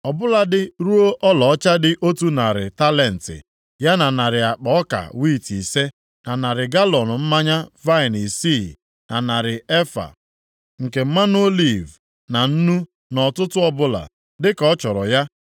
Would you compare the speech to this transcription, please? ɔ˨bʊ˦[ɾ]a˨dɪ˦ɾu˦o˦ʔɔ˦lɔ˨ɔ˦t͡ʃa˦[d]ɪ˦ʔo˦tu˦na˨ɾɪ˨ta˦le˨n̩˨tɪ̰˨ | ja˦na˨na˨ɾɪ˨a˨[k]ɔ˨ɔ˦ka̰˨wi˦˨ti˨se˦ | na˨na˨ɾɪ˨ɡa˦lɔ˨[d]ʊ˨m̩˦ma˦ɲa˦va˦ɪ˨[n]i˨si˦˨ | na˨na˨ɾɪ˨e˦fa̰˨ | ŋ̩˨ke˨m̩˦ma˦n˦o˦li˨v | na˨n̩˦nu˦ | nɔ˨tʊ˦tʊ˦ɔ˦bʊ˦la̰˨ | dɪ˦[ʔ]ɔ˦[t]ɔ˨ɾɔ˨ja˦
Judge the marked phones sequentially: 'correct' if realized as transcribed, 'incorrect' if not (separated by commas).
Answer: incorrect, correct, incorrect, incorrect, correct, incorrect, incorrect